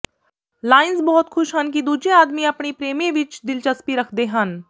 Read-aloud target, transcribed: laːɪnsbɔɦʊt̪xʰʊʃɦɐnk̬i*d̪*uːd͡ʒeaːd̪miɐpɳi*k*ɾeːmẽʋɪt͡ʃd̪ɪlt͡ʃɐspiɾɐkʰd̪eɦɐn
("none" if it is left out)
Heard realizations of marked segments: d̪, p

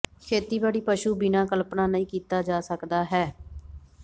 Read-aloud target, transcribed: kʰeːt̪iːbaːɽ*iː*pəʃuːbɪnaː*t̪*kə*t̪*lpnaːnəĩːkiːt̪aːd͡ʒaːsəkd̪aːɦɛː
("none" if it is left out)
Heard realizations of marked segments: iː, none, none

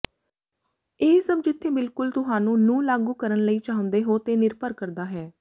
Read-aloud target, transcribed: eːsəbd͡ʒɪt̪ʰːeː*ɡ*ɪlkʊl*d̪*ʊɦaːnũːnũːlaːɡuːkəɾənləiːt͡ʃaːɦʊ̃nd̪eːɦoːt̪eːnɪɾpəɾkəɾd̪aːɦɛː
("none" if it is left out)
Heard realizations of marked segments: b, t̪

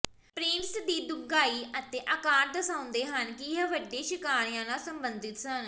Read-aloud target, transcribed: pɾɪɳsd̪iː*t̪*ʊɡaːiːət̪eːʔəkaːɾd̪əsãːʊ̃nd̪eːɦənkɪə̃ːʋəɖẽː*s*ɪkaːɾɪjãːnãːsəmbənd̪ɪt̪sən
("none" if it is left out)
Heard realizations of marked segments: d̪, ʃ

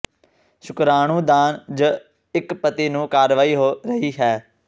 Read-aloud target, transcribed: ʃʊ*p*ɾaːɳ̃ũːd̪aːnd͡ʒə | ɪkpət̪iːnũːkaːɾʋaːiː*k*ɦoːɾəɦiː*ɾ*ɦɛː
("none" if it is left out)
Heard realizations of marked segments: k, none, none

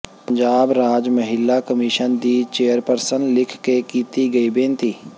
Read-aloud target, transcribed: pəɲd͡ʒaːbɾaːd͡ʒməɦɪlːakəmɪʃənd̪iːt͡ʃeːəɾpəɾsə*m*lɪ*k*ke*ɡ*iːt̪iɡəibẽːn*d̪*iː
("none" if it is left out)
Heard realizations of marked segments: n, kʰ, k, t̪

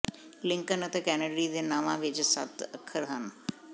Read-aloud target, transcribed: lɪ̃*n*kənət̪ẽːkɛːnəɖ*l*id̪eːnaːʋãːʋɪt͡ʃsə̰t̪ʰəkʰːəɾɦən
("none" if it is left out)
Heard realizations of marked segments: ŋ, ɾ

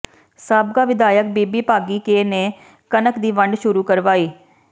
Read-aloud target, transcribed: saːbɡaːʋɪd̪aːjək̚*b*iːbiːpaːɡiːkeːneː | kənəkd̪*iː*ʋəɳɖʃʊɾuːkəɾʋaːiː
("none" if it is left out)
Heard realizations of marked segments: b, iː

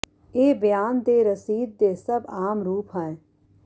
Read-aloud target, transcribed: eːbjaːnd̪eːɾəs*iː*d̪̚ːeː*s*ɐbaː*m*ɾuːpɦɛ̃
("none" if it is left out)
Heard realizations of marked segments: iː, s, m

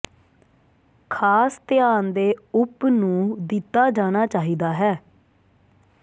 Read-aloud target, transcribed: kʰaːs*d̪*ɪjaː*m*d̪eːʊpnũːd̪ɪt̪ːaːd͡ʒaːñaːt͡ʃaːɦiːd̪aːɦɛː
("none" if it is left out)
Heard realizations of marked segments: t̪, n

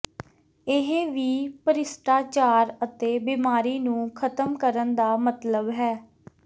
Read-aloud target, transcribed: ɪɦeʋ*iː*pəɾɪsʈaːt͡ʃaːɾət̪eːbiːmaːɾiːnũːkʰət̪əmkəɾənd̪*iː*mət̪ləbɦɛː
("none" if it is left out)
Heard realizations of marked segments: iː, aː

